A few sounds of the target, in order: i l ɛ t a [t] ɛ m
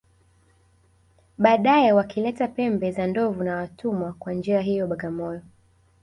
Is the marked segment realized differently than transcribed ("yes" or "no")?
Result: yes